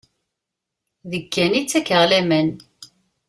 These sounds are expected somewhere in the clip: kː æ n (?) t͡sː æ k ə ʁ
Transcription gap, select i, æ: i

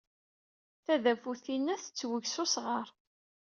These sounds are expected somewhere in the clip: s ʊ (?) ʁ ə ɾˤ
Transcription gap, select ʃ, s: s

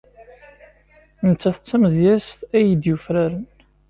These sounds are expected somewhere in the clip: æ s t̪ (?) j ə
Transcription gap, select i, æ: æ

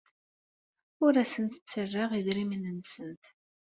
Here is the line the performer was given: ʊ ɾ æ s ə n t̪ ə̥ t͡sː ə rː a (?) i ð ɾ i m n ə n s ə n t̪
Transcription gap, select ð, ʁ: ʁ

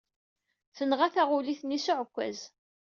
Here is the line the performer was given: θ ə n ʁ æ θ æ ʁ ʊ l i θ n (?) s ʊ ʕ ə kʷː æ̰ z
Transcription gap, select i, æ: i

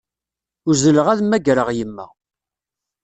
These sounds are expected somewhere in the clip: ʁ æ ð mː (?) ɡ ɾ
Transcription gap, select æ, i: æ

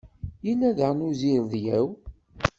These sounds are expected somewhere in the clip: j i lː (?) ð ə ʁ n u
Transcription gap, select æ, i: æ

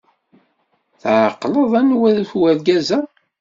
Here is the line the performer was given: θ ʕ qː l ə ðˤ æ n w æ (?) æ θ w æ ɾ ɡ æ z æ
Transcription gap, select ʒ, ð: ð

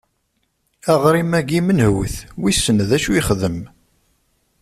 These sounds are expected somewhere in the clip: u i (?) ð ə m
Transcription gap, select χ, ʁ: χ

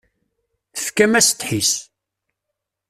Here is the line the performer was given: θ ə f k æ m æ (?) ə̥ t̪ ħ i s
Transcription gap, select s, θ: s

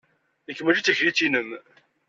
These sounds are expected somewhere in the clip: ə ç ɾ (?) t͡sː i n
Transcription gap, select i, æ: i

